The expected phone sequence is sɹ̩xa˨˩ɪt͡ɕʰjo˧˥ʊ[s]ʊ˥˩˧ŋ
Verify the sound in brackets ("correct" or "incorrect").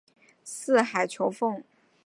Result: incorrect